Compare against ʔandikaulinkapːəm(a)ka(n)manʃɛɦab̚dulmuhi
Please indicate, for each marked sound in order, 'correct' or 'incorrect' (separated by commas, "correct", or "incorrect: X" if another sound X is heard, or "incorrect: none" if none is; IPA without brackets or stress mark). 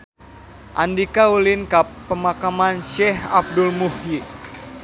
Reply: correct, incorrect: none